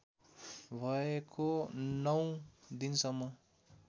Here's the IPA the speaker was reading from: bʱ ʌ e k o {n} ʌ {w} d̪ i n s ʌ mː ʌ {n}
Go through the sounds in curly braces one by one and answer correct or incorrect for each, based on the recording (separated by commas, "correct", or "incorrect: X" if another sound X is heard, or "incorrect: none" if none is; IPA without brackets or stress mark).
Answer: correct, correct, incorrect: none